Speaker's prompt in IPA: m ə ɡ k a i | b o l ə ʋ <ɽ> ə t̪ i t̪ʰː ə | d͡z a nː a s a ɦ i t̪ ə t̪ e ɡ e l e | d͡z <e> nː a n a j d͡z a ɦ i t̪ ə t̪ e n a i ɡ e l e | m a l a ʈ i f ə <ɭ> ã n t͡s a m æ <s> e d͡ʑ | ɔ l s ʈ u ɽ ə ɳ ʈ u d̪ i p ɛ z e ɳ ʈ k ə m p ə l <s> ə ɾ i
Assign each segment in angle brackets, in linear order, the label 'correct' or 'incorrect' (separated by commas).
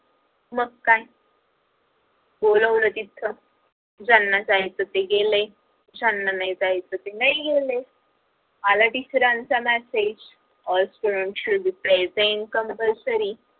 incorrect, incorrect, incorrect, correct, correct